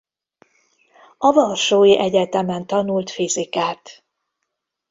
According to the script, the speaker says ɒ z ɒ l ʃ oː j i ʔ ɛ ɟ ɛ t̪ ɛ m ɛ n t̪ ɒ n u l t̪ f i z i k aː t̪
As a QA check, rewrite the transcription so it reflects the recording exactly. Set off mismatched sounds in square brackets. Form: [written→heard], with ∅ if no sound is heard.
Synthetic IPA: ɒ [z→v] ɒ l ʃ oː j i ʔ ɛ ɟ ɛ t̪ ɛ m ɛ n t̪ ɒ n u l t̪ f i z i k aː t̪